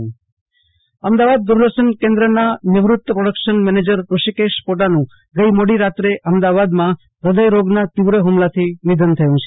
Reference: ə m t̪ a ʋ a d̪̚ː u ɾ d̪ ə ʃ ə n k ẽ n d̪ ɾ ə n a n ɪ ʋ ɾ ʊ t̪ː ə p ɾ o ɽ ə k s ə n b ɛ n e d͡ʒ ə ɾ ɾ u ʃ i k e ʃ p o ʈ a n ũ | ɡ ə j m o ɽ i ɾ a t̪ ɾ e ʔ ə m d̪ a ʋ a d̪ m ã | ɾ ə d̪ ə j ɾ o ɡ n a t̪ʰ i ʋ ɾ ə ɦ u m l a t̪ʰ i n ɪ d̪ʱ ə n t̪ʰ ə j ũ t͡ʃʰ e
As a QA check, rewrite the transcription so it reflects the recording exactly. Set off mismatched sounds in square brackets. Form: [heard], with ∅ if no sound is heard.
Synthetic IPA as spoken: ə m [d̪] a ʋ a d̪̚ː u ɾ d̪ ə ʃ ə n k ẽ n d̪ ɾ ə n a n ɪ ʋ ɾ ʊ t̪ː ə p ɾ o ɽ ə k [ʃ] ə n [m] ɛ n e d͡ʒ ə ɾ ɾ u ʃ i k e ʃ p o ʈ a n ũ | ɡ ə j m o ɽ i ɾ a t̪ ɾ e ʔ ə m d̪ a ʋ a d̪ m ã | ɾ ə d̪ ə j ɾ o ɡ n a [t̪] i ʋ ɾ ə ɦ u m l a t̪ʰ i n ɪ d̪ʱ ə n t̪ʰ ə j ũ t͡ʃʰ e